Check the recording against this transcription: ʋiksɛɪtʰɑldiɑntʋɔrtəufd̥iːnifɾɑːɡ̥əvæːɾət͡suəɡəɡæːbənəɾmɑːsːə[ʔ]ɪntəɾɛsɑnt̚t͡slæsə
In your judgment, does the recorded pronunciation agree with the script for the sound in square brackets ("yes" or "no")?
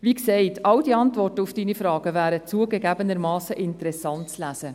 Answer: yes